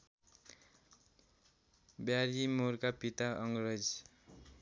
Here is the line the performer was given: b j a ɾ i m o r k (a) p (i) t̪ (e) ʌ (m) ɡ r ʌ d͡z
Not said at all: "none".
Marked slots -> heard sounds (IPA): a, i, a, ŋ

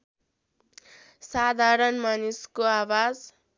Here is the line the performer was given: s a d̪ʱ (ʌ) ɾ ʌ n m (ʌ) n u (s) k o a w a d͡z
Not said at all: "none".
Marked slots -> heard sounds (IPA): a, a, s

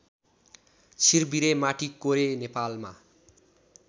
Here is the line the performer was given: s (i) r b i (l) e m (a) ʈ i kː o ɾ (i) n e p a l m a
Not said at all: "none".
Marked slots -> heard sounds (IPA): i, ɾ, a, e

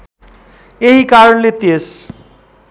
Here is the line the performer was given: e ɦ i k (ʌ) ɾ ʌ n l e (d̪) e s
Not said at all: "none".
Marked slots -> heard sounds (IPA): a, t̪

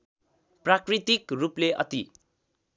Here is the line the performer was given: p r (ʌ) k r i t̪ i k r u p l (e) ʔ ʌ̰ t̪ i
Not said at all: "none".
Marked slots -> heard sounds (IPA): a, e

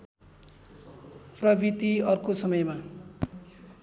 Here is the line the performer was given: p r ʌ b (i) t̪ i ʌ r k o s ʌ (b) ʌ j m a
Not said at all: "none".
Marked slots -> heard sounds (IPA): i, m

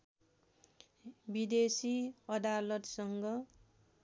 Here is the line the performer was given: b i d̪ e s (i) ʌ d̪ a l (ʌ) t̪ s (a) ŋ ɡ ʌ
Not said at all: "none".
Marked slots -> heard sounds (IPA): i, ʌ, ʌ

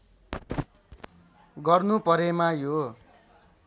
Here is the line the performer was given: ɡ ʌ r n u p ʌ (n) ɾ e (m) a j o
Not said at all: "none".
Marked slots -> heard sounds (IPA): none, m

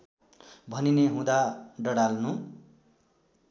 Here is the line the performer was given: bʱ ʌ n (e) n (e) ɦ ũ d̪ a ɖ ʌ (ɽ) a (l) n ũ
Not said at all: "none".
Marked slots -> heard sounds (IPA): i, e, ɽ, l

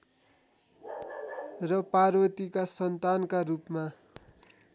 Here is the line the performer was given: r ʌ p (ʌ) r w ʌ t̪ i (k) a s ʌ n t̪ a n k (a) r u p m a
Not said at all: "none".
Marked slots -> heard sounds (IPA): a, k, a

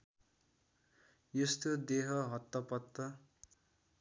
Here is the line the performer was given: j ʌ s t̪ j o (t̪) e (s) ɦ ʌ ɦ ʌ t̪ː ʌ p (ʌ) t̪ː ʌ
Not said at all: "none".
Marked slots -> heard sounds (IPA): d̪, none, ʌ

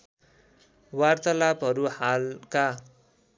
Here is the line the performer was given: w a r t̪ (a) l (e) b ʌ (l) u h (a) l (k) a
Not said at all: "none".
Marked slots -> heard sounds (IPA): ʌ, a, ɾ, a, k

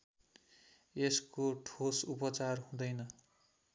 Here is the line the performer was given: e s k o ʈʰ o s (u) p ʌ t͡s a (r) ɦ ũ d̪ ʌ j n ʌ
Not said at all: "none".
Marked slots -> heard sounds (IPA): u, r

